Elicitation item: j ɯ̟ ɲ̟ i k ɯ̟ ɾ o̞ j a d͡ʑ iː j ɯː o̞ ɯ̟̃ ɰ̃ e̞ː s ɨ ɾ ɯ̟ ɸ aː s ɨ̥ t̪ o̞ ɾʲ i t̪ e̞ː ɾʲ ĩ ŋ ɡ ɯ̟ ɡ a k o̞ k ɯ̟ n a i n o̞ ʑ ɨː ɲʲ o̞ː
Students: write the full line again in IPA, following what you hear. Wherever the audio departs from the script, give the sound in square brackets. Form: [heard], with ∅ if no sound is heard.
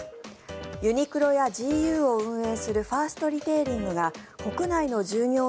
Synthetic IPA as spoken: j ɯ̟ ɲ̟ i k ɯ̟ ɾ o̞ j a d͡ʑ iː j ɯː o̞ ɯ̟̃ ɰ̃ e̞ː s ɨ ɾ ɯ̟ ɸ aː s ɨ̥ t̪ o̞ ɾʲ i t̪ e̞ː ɾʲ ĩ ŋ ɡ ɯ̟ ɡ a k o̞ k ɯ̟ n a i n o̞ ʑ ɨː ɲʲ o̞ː

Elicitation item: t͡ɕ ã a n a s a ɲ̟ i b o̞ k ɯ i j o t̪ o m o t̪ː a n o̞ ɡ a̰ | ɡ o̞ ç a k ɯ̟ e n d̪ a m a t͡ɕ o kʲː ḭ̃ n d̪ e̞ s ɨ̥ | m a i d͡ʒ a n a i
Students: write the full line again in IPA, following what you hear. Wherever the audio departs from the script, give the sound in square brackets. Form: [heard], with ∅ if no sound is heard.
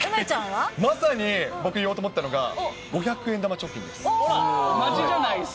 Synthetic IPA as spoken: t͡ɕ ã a [m] a s a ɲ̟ i b o̞ k ɯ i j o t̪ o m o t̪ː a n o̞ ɡ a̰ | ɡ o̞ ç a k ɯ̟ e n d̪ a m a t͡ɕ o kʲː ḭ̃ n d̪ e̞ s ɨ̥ | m a i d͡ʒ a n a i

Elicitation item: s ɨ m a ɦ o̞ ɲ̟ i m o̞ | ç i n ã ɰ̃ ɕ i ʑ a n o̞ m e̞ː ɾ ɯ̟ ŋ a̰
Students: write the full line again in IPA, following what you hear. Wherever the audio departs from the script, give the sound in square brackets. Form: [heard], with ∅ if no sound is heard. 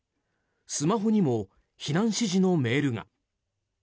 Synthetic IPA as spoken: s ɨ m a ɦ o̞ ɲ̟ i m o̞ | ç i n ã ɰ̃ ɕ i ʑ [i] n o̞ m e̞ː ɾ ɯ̟ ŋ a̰

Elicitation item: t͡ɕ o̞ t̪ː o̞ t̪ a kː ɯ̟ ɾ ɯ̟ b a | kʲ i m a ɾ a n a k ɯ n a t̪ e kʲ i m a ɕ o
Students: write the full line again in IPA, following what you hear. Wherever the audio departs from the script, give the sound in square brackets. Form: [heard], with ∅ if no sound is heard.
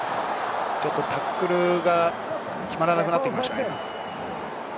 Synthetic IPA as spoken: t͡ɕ o̞ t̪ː o̞ t̪ a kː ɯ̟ ɾ ɯ̟ [ɡ] a | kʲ i m a ɾ a n a k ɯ n a t̪ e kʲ i m a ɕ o

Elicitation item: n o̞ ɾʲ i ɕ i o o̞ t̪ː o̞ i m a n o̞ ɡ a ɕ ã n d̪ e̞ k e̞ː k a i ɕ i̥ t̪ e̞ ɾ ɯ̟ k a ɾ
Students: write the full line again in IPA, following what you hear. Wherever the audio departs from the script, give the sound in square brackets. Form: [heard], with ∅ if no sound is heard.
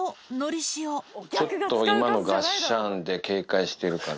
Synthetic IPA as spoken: n o̞ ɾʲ i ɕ i o o̞ t̪ː o̞ i m a n o̞ ɡ a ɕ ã n d̪ e̞ k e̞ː k a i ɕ i̥ t̪ e̞ ɾ ɯ̟ k a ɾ

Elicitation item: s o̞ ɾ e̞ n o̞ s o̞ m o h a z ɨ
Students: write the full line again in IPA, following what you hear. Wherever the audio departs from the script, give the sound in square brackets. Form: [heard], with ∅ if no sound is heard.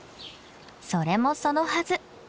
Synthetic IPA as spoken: s o̞ ɾ e̞ [m] o̞ s o̞ [n] o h a z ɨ

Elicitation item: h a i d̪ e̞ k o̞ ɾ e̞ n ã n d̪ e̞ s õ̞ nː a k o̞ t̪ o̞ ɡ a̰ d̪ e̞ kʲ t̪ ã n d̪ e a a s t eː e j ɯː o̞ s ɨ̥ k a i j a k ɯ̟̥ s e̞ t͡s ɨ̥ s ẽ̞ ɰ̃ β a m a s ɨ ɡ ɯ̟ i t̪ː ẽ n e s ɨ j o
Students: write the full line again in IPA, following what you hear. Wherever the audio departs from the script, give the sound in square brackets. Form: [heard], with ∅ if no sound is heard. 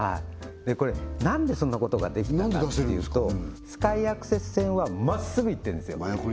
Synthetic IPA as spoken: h a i d̪ e̞ k o̞ ɾ e̞ n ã n d̪ e̞ s õ̞ nː a k o̞ t̪ o̞ ɡ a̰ d̪ e̞ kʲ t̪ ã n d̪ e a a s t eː e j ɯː o̞ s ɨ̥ k a i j a k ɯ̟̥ s e̞ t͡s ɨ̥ s ẽ̞ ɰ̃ β a m a s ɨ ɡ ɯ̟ i t̪ː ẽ n e s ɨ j o

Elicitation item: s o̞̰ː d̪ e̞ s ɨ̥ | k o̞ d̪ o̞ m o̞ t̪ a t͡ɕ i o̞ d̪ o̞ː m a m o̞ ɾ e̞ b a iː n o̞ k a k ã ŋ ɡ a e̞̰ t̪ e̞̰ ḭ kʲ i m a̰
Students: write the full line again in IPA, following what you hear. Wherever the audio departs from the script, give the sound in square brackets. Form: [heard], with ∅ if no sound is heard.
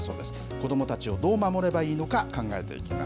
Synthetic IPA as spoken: s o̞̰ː d̪ e̞ s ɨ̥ | k o̞ d̪ o̞ m o̞ t̪ a t͡ɕ i o̞ d̪ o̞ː m a m o̞ ɾ e̞ b a iː n o̞ k a k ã ŋ ɡ a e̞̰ t̪ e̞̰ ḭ kʲ i m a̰

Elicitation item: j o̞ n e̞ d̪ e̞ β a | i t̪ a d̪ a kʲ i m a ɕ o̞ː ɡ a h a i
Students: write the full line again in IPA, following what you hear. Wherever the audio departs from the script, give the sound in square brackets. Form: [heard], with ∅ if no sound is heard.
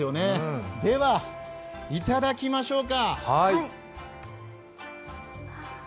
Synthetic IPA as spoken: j o̞ n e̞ d̪ e̞ β a | i t̪ a d̪ a kʲ i m a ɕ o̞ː [k] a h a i

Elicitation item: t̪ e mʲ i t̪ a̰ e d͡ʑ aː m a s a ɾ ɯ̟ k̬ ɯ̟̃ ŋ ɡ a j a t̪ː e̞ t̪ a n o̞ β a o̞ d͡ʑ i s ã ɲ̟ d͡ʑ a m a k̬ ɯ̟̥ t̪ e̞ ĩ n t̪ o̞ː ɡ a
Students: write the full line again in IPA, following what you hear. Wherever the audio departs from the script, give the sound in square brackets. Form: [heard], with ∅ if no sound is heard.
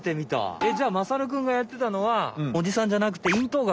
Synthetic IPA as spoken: t̪ e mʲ i t̪ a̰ e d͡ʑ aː m a s a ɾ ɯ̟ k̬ ɯ̟̃ ŋ ɡ a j a t̪ː e̞ t̪ a n o̞ β a o̞ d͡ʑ i s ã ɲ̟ d͡ʑ a [n] a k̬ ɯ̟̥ t̪ e̞ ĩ n t̪ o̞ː ɡ a

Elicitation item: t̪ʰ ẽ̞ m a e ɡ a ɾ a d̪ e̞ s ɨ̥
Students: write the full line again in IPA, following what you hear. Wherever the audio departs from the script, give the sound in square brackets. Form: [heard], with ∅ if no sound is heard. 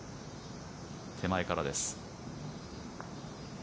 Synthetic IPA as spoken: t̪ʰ [e̞] m a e [k] a ɾ a d̪ e̞ s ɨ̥

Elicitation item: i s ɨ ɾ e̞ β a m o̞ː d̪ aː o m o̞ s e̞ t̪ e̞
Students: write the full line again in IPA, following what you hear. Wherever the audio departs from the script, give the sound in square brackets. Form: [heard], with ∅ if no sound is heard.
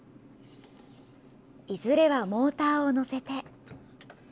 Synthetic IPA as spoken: i [z] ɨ ɾ e̞ β a m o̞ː [t̪] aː o [n] o̞ s e̞ t̪ e̞

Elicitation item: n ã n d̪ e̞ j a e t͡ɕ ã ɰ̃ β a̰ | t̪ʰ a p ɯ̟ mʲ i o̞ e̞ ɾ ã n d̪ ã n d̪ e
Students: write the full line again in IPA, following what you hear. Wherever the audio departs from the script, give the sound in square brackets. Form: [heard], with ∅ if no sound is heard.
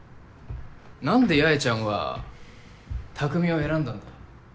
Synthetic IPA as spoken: n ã n d̪ e̞ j a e t͡ɕ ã ɰ̃ β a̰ | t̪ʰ a [k] ɯ̟ mʲ i o̞ e̞ ɾ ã n d̪ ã n d̪ [a]

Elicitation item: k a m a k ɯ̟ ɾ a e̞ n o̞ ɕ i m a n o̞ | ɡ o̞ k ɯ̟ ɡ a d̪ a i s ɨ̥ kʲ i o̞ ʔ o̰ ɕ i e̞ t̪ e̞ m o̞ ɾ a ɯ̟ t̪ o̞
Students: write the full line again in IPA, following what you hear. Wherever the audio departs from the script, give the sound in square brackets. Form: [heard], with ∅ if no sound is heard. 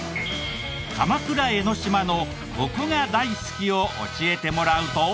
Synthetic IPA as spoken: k a m a k ɯ̟ ɾ a e̞ n o̞ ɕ i m a n o̞ | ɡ o̞ k ɯ̟ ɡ a d̪ a i s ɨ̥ kʲ i o̞ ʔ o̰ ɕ i e̞ t̪ e̞ m o̞ ɾ a ɯ̟ t̪ o̞

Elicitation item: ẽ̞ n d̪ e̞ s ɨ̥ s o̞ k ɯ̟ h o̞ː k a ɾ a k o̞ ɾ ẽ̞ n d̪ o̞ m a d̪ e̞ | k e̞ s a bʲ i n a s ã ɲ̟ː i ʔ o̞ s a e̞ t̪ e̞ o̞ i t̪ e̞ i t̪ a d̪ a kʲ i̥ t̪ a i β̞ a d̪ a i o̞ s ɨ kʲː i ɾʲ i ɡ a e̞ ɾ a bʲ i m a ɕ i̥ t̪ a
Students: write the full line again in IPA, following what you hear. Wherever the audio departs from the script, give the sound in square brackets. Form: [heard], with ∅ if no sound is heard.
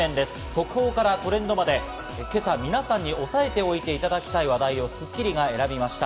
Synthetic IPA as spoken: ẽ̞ n d̪ e̞ s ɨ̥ s o̞ k ɯ̟ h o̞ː k a ɾ a k o̞ ɾ ẽ̞ n d̪ o̞ m a d̪ e̞ | k e̞ s a [mʲ] i n a s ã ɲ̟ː i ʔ o̞ s a e̞ t̪ e̞ o̞ i t̪ e̞ i t̪ a d̪ a kʲ i̥ t̪ a i β̞ a d̪ a i o̞ s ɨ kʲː i ɾʲ i ɡ a e̞ ɾ a bʲ i m a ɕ i̥ t̪ a

